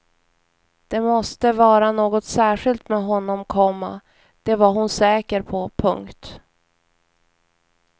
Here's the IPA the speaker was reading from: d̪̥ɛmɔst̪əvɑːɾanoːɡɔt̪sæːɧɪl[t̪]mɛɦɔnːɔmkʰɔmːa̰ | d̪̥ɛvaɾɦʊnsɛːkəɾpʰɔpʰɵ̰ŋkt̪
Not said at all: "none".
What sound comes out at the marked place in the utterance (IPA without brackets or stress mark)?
t̪